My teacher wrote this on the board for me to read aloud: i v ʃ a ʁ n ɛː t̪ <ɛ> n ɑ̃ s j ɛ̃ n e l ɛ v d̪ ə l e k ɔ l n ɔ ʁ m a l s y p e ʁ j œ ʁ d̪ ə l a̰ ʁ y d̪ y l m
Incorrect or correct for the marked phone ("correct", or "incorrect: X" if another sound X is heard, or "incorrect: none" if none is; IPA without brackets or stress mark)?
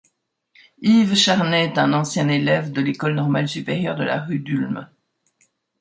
incorrect: ɛ̃